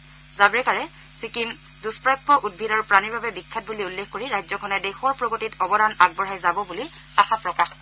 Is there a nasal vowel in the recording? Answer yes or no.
no